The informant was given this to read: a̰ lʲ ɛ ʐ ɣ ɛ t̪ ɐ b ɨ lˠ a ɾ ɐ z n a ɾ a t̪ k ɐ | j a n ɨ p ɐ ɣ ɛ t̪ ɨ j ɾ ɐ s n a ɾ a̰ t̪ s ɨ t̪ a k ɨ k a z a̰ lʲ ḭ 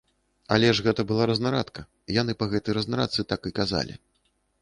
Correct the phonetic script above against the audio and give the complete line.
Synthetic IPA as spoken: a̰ lʲ ɛ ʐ ɣ ɛ t̪ ɐ b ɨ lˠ a ɾ ɐ z n a ɾ a t̪ k ɐ | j a n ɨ p ɐ ɣ ɛ t̪ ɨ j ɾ ɐ z n a ɾ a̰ t̪ s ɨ t̪ a k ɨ k a z a̰ lʲ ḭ

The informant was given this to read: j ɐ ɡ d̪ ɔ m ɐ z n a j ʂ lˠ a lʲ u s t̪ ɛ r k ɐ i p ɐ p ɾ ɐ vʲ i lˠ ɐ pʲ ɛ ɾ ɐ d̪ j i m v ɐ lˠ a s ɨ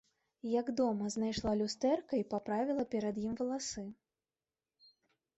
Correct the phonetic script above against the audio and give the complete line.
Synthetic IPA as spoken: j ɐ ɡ d̪ ɔ m ɐ z n a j ʂ lˠ a lʲ u s t̪ ɛ r k ɐ i p a p ɾ a vʲ i lˠ ɐ pʲ ɛ ɾ ɐ d̪ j i m v ɐ lˠ a s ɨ

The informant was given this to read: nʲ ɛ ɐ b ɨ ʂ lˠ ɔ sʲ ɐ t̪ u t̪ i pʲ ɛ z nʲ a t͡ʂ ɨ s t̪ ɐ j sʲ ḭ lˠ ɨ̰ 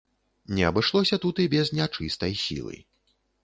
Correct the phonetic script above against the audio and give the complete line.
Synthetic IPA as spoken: nʲ ɛ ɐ b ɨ ʂ lˠ ɔ sʲ ɐ t̪ u t̪ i bʲ ɛ z nʲ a t͡ʂ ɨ s t̪ ɐ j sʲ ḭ lˠ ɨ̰

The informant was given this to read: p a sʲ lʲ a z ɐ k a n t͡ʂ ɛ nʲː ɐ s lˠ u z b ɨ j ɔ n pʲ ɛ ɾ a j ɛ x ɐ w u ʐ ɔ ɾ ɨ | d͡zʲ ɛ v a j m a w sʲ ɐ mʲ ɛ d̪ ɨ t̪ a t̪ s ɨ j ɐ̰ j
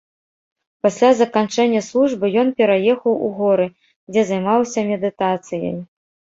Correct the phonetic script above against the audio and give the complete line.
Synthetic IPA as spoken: p a sʲ lʲ a z ɐ k a n t͡ʂ ɛ nʲː ɐ s lˠ u ʐ b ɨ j ɔ n pʲ ɛ ɾ a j ɛ x ɐ w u ɣ ɔ ɾ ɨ | d͡zʲ ɛ z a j m a w sʲ ɐ mʲ ɛ d̪ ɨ t̪ a t̪ s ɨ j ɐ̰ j

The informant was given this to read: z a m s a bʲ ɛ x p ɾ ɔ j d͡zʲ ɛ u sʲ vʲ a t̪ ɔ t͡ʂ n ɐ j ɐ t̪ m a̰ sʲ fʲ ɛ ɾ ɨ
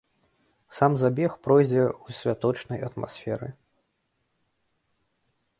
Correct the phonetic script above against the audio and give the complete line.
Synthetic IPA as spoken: s a m z a bʲ ɛ x p ɾ ɔ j d͡zʲ ɛ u sʲ vʲ a t̪ ɔ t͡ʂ n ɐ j ɐ t̪ m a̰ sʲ fʲ ɛ ɾ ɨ

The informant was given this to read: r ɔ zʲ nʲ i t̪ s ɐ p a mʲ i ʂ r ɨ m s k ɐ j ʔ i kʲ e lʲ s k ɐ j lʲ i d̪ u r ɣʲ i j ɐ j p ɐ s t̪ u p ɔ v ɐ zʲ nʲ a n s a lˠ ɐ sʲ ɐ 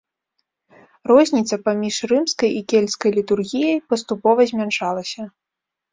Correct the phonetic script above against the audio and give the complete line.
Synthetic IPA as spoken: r ɔ zʲ nʲ i t̪ s ɐ p a mʲ i ʂ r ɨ m s k ɐ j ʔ i kʲ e lʲ s k ɐ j lʲ i t̪ u r ɣʲ i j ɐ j p ɐ s t̪ u p ɔ v ɐ zʲ mʲ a n ʂ a lˠ ɐ sʲ ɐ

